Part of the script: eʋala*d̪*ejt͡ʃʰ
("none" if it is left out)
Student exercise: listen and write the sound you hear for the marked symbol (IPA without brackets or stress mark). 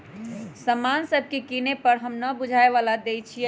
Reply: d̪